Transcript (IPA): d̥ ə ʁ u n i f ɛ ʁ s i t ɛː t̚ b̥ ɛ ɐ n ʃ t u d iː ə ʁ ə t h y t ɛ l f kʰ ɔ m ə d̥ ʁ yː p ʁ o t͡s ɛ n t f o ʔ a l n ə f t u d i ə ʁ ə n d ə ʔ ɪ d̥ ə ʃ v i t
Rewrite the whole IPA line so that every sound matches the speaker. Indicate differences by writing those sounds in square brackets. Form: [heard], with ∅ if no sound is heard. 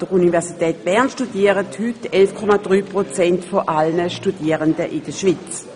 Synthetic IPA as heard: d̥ ə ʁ u n i [v] ɛ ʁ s i t ɛː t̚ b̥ ɛ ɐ n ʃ t u d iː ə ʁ ə t h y t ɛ l f kʰ ɔ m [a] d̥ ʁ yː p ʁ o t͡s ɛ n t f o ʔ a l n ə [ʃ] t u d i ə ʁ ə n d ə ʔ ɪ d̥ ə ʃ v i [t͡s]